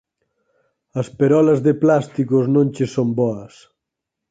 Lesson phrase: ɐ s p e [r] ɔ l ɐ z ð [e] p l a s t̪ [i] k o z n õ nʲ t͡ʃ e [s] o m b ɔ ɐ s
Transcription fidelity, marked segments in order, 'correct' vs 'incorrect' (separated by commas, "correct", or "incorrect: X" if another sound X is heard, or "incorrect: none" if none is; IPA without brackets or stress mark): incorrect: ɾ, correct, correct, correct